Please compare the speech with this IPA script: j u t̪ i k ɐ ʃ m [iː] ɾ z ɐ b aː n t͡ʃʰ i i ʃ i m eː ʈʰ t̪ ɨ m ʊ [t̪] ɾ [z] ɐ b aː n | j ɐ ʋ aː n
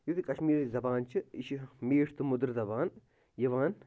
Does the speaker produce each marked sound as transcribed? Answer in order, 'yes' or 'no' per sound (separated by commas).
yes, no, yes